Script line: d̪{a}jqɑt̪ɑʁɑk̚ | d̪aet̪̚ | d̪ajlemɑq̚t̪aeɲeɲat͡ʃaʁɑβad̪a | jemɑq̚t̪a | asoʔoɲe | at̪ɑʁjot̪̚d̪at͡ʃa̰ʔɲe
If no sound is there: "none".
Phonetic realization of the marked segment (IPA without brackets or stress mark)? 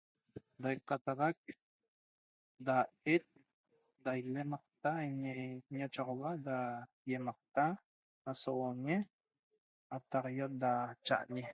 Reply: a